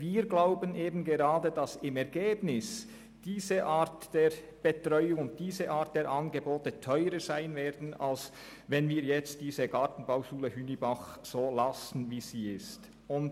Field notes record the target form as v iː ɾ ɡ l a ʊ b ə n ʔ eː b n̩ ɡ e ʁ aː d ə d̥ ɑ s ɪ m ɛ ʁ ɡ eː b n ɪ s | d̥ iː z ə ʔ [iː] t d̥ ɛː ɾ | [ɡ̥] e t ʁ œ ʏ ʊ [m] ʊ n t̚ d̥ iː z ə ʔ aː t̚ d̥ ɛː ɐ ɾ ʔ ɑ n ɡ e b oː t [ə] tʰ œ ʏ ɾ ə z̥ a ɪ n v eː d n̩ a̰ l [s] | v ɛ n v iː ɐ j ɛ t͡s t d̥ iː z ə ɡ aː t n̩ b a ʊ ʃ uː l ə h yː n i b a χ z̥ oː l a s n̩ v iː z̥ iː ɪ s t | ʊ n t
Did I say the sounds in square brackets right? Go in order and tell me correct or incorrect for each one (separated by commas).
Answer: incorrect, incorrect, incorrect, correct, correct